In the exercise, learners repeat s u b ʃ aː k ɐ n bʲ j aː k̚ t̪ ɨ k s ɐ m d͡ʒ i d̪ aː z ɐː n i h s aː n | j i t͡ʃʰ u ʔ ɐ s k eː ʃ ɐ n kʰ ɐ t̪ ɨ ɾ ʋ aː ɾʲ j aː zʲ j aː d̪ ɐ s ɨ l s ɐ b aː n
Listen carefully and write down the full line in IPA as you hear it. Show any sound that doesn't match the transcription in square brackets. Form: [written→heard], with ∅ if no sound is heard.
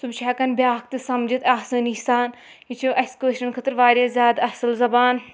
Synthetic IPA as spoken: s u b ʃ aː k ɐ n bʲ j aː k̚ t̪ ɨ [k→∅] s ɐ m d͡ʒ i [d̪→t̪] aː [z→s] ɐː n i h s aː n | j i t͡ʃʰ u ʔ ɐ s k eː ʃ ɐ n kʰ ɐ t̪ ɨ ɾ ʋ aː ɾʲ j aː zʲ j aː d̪ ɐ s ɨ l [s→z] ɐ b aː n